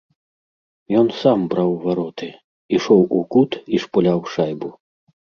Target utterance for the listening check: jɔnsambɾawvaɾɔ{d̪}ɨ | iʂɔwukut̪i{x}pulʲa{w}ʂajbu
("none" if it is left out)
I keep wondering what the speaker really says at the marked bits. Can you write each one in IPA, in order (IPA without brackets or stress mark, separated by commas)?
t̪, ʂ, w